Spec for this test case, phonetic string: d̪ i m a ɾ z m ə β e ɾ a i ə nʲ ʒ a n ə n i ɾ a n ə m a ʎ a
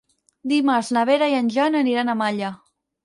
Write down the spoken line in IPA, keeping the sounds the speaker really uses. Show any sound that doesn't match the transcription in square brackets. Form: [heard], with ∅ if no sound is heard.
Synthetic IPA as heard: d̪ i m a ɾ z [n] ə β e ɾ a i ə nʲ ʒ a n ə n i ɾ a n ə m a ʎ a